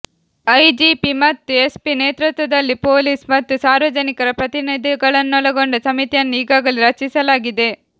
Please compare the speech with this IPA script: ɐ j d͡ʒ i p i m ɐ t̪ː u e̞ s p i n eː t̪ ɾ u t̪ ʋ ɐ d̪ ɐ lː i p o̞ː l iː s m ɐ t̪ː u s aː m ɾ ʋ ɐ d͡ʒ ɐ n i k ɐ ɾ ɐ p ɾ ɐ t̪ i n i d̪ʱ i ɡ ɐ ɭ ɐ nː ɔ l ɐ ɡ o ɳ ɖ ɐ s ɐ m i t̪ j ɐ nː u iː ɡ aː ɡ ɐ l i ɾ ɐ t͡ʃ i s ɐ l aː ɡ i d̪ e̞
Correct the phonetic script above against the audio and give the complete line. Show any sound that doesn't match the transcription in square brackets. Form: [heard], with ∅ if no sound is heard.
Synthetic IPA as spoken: ɐ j d͡ʒ i p i m ɐ t̪ː u e̞ s p i n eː t̪ ɾ u t̪ ʋ ɐ d̪ ɐ lː i p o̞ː l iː s m ɐ t̪ː u s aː [∅] ɾ ʋ ɐ d͡ʒ ɐ n i k ɐ ɾ ɐ p ɾ ɐ t̪ i n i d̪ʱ i ɡ ɐ ɭ ɐ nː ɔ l ɐ ɡ o ɳ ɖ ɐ s ɐ m i t̪ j ɐ nː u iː ɡ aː ɡ ɐ l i ɾ ɐ t͡ʃ i s ɐ l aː ɡ i d̪ e̞